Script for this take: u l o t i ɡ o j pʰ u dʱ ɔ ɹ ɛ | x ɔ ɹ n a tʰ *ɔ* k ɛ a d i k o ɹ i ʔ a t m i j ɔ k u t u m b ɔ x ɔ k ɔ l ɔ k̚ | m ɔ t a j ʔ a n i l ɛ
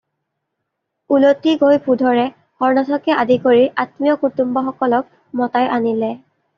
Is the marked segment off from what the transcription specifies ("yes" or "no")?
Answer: no